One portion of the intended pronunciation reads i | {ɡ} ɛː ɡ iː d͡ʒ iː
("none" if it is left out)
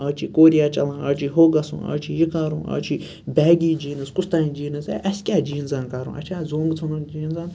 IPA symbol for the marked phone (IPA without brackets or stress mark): b